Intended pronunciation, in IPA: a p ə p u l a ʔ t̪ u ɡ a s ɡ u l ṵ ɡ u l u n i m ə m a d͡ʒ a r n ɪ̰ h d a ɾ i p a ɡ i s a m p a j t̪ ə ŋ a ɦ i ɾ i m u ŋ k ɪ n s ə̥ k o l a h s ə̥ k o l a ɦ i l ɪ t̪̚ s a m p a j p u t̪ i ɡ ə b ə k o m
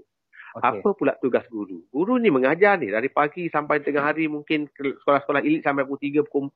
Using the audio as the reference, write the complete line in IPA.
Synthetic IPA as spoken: a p ə p u l a ʔ t̪ u ɡ a s ɡ u ɾ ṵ ɡ u ɾ u n i m ə ŋ a d͡ʒ a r n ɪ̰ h d a ɾ i p a ɡ i s a m p a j t̪ ə ŋ a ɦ a ɾ i m u ŋ k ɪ n s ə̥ k o l a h s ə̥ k o l a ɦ i l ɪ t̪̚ s a m p a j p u t̪ i ɡ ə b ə k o m